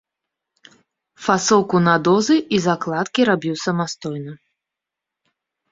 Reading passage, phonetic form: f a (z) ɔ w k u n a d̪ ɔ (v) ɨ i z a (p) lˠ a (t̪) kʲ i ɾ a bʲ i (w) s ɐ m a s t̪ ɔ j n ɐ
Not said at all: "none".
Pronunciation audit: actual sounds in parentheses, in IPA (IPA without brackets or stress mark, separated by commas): s, z, k, t̪, w